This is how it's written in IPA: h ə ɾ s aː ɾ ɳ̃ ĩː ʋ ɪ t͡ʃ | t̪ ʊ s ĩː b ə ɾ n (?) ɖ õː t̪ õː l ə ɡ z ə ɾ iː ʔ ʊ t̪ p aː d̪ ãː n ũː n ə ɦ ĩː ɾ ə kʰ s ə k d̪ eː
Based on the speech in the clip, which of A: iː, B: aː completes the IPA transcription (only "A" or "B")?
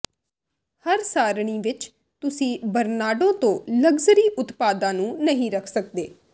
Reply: B